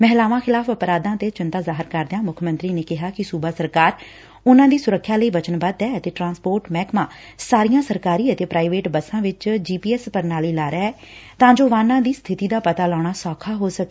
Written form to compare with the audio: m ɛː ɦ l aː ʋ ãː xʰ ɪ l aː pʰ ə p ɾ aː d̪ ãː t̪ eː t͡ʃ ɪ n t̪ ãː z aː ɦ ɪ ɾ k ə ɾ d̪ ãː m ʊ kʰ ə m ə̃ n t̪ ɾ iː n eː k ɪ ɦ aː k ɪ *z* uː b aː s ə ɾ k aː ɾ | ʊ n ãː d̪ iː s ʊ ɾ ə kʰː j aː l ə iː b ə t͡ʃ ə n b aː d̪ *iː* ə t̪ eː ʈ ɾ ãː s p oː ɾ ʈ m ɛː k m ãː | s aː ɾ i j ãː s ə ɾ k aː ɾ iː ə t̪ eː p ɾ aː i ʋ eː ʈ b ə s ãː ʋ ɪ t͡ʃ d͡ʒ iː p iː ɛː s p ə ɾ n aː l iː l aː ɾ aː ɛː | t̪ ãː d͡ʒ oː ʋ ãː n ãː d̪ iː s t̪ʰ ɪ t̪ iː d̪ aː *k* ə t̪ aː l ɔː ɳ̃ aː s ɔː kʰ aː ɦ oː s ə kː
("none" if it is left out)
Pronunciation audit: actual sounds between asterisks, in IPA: s, ɛː, p

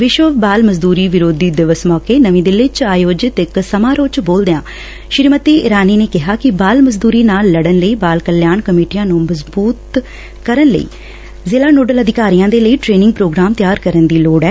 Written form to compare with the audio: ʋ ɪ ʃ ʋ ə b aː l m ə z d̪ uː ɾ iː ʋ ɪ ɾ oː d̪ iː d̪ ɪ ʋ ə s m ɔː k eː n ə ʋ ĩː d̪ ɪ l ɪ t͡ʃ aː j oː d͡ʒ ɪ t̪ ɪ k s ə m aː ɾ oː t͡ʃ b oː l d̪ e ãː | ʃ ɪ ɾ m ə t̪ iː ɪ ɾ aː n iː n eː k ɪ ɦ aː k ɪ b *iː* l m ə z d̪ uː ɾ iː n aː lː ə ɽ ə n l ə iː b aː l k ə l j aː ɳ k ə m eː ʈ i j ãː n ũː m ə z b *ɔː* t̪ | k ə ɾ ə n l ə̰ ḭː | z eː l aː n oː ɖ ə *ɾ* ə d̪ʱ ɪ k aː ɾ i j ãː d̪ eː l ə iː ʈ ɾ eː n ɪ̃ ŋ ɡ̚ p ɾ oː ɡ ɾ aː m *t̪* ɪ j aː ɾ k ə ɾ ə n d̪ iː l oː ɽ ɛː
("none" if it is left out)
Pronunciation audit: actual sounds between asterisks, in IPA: aː, uː, l, t̪

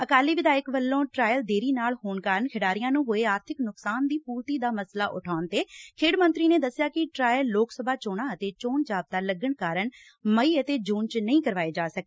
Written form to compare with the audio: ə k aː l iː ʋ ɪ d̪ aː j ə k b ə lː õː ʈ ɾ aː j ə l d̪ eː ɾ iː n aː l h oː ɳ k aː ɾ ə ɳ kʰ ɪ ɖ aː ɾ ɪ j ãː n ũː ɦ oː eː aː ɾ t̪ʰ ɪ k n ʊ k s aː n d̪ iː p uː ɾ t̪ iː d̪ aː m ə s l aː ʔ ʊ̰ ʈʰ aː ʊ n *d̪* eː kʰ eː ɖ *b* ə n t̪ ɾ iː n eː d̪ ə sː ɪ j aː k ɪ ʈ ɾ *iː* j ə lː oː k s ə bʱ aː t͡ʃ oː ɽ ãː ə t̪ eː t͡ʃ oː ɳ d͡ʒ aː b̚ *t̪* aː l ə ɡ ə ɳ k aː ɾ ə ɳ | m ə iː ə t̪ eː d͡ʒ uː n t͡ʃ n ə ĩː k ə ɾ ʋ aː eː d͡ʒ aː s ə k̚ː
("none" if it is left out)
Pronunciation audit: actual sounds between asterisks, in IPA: t̪, m, aː, t̪

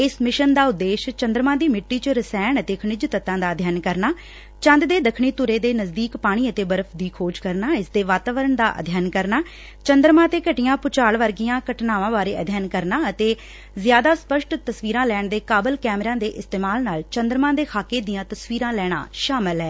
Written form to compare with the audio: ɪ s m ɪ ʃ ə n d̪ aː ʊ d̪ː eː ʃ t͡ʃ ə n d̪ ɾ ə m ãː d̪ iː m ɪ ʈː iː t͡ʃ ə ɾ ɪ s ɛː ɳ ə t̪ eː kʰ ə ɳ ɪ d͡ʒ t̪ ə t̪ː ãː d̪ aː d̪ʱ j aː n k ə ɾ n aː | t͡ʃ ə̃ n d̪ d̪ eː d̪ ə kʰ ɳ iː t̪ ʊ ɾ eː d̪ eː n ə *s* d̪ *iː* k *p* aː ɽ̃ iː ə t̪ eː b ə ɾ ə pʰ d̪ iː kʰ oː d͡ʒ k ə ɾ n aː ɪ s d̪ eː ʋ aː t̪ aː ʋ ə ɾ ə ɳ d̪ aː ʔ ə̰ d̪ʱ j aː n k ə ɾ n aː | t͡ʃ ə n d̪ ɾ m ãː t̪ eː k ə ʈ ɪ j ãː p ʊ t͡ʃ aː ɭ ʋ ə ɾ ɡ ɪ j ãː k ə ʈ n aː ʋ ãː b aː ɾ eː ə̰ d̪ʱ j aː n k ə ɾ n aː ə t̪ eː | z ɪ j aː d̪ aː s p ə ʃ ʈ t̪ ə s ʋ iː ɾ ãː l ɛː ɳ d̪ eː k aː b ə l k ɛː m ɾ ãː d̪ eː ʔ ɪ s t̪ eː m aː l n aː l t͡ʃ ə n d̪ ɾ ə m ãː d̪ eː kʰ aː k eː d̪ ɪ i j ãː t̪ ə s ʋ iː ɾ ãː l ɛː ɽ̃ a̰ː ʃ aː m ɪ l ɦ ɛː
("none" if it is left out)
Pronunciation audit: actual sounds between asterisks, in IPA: z, iː, p

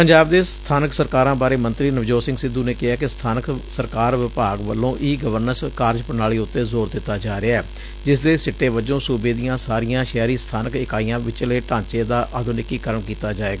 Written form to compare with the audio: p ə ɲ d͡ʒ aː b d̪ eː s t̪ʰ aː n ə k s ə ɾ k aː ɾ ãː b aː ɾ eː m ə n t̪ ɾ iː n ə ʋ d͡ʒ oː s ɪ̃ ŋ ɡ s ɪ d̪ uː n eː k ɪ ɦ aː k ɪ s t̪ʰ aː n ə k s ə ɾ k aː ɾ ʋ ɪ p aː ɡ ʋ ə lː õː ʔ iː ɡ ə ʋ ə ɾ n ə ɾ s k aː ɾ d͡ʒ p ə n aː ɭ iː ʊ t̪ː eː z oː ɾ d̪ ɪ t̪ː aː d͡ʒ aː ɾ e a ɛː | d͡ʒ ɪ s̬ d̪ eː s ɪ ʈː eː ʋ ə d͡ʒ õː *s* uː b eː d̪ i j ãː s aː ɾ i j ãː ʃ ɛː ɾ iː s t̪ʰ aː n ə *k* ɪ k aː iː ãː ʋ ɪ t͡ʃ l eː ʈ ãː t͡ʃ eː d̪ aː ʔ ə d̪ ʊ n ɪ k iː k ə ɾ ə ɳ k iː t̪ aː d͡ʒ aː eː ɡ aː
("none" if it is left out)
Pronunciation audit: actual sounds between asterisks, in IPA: s, k

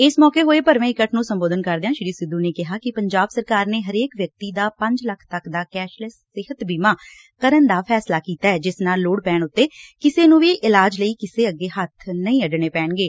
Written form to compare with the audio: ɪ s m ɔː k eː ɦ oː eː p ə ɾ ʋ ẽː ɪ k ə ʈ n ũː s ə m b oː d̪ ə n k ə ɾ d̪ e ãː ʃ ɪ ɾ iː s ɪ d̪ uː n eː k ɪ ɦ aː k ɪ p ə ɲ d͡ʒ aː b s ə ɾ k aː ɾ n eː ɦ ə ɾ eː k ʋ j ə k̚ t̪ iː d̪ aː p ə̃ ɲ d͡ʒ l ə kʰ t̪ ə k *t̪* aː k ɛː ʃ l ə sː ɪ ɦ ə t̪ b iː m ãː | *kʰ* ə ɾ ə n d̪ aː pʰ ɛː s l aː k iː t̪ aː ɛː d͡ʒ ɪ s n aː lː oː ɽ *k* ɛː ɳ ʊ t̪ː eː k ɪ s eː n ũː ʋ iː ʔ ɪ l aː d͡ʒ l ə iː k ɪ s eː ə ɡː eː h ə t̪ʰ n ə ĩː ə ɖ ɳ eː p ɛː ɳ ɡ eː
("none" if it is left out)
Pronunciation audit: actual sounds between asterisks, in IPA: d̪, k, p

